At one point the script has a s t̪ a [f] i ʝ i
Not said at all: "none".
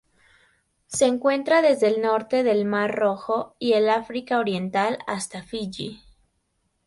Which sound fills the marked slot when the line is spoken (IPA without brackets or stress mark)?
f